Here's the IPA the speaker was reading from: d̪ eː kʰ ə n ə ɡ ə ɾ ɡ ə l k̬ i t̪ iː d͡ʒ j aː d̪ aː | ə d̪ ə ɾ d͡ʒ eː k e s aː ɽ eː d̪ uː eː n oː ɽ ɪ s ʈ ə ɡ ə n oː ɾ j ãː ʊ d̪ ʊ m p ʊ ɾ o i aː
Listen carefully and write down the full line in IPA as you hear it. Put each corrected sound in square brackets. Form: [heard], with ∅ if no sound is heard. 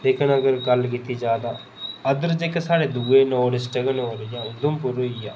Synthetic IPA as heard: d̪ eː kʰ ə n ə ɡ ə ɾ ɡ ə l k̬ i t̪ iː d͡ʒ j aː d̪ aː | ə d̪ ə ɾ d͡ʒ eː k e s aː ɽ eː d̪ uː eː n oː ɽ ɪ s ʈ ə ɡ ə n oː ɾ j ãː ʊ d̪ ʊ m p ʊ ɾ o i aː